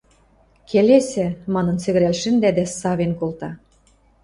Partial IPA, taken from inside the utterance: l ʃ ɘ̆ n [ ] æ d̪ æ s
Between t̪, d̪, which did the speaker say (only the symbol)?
d̪